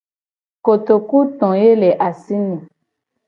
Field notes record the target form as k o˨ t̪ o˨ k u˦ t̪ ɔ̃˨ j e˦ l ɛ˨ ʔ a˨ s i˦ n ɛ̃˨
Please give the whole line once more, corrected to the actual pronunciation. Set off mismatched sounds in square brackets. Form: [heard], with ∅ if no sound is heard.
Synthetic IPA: k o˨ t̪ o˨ k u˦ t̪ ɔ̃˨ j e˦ l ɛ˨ ʔ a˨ s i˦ n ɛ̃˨